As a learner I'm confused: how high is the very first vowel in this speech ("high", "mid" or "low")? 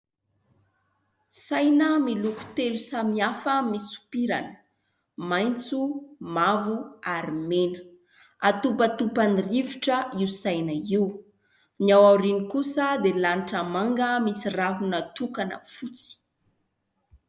low